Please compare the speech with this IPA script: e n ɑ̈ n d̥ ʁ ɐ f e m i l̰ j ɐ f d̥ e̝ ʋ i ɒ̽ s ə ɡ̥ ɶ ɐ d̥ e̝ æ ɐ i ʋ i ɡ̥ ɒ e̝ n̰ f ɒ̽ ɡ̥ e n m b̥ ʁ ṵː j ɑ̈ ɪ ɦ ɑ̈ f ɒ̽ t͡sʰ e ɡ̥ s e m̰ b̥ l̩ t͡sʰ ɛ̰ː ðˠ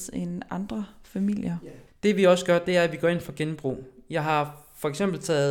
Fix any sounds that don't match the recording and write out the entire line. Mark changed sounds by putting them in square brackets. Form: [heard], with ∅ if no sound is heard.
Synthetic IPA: e n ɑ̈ n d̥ ʁ ɐ f [æ] m i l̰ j ɐ [∅] d̥ e̝ ʋ i ɒ̽ s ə ɡ̥ ɶ ɐ d̥ e̝ æ ɐ [æ] ʋ i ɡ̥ ɒ e̝ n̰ f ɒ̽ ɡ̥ e n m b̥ ʁ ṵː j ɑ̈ ɪ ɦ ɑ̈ f ɒ̽ [∅] e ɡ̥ s e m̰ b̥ l̩ t͡sʰ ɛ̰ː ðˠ